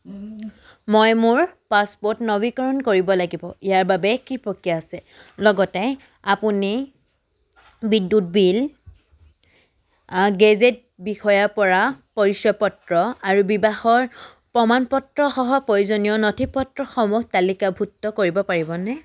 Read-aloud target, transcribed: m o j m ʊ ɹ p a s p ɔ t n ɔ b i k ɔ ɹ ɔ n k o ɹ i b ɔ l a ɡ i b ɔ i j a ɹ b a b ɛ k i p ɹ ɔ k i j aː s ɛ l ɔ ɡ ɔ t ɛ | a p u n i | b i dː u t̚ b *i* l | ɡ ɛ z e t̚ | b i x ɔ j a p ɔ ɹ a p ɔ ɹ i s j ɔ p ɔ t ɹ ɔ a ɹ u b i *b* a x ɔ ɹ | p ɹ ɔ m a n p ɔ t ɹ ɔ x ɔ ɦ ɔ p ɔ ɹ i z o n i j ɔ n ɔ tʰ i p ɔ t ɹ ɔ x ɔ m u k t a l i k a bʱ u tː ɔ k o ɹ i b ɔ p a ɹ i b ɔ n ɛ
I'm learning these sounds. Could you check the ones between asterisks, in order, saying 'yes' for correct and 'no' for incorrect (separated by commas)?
yes, yes